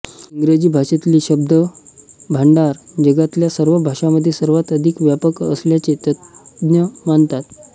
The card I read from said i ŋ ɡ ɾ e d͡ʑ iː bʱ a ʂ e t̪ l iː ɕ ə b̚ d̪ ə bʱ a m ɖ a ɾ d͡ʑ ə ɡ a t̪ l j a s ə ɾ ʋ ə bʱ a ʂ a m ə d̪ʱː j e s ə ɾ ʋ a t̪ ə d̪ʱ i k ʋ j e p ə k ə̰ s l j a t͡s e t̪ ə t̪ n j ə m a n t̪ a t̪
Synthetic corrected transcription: i ŋ ɡ ɾ e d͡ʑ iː bʱ a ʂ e t̪ l iː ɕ ə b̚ d̪ ə bʱ a ɳ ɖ a ɾ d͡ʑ ə ɡ a t̪ l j a s ə ɾ ʋ ə bʱ a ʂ a m ə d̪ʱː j e s ə ɾ ʋ a t̪ ə d̪ʱ i k ʋ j a p ə k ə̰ s l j a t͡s e t̪ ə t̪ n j ə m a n t̪ a t̪

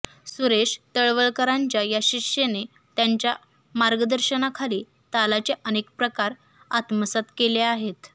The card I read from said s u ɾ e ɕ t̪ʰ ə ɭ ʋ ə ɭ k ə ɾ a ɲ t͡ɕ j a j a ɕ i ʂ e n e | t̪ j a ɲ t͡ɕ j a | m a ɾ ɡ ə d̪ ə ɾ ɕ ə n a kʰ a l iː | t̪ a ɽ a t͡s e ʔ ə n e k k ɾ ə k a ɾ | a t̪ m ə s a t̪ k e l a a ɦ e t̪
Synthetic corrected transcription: s u ɾ e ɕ t̪ ə ɭ ʋ ə ɭ k ə ɾ a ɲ t͡ɕ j a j a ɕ i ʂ e n e | t̪ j a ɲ t͡ɕ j a | m a ɾ ɡ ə d̪ ə ɾ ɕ ə n a kʰ a l iː | t̪ a l a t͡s e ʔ ə n e k p ɾ ə k a ɾ | a t̪ m ə s a t̪ k e l e a ɦ e t̪

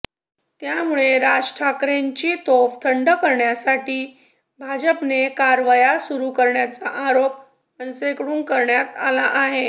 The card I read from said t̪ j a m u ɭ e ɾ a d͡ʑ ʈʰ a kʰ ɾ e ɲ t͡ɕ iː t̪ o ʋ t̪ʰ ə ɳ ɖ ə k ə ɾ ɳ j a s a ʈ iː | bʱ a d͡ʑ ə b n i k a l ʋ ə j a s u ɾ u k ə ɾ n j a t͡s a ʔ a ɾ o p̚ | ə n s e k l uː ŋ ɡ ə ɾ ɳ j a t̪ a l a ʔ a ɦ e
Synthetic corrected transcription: t̪ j a m u ɭ e ɾ a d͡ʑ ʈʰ a k ɾ e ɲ t͡ɕ iː t̪ o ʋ t̪ʰ ə ɳ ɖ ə k ə ɾ ɳ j a s a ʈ iː | bʱ a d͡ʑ ə p n e k a ɾ ʋ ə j a s u ɾ u k ə ɾ ɳ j a t͡s a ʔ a ɾ o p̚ | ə n s e k ɽ uː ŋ k ə ɾ ɳ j a t̪ a l a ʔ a ɦ e

